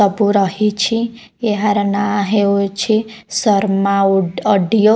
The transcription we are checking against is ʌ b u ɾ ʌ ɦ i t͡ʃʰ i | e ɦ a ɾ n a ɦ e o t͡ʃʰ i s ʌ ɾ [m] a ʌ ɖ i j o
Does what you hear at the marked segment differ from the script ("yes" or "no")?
no